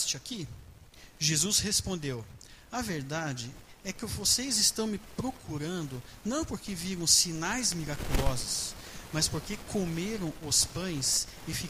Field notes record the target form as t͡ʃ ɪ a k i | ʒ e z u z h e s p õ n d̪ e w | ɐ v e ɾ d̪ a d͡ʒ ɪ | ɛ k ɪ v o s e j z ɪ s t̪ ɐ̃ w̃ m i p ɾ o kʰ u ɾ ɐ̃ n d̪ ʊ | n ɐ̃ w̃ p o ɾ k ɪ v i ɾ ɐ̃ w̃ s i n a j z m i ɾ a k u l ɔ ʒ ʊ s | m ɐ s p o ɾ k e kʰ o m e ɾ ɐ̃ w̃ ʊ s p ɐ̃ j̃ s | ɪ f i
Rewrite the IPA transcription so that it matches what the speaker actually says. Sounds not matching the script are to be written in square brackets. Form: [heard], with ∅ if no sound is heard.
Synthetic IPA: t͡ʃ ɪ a k i | ʒ e z u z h e s p õ n d̪ e w | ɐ v e ɾ d̪ a d͡ʒ ɪ | ɛ k ɪ v o s e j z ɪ s t̪ ɐ̃ w̃ m [ɪ] p ɾ o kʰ u ɾ ɐ̃ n d̪ ʊ | n ɐ̃ w̃ p o ɾ k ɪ v i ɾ ɐ̃ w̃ s i n a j z m i ɾ a k u l ɔ [z] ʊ s | m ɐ s p o ɾ k e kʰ o m e ɾ ɐ̃ w̃ ʊ s p ɐ̃ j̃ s | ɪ f i